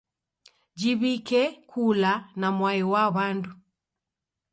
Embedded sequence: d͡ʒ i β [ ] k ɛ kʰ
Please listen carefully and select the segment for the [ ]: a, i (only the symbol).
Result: i